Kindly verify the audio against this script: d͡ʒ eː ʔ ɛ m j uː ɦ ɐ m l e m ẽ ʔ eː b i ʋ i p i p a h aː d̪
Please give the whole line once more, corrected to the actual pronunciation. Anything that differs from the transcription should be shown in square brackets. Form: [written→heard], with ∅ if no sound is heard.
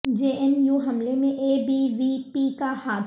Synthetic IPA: d͡ʒ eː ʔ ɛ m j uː ɦ ɐ m l e m ẽ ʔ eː b i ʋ i p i [p→k] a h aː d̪